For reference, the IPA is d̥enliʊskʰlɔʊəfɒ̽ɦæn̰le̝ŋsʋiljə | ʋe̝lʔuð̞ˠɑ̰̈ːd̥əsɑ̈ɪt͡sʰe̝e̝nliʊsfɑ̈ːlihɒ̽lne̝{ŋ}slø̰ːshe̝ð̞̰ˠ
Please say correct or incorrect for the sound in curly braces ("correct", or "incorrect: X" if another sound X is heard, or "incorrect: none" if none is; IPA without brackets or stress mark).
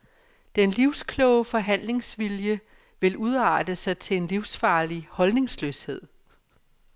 correct